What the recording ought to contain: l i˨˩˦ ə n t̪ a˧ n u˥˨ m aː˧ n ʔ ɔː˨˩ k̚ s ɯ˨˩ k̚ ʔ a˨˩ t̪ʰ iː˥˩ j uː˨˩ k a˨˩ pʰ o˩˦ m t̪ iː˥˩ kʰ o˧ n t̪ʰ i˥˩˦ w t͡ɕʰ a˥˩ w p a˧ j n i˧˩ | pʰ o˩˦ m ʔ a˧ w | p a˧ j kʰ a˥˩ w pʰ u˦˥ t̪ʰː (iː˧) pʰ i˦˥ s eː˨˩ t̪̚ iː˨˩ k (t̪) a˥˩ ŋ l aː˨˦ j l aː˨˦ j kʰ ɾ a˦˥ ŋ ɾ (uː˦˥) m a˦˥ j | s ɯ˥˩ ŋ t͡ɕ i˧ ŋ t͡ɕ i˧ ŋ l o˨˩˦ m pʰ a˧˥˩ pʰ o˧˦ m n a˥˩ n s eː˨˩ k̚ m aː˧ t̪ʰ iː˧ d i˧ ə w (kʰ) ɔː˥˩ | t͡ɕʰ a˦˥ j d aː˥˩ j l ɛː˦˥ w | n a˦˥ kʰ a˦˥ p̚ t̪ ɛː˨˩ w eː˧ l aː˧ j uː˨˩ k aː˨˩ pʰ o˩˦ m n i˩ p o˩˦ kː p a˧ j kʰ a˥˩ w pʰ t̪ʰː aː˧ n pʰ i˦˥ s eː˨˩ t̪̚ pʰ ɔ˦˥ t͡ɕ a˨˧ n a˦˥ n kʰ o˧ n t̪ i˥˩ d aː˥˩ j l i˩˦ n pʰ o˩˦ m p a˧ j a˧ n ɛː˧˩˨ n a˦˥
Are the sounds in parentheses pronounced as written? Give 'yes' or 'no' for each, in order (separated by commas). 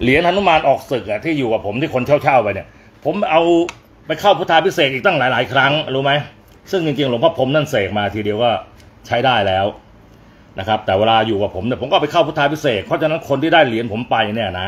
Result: no, yes, yes, no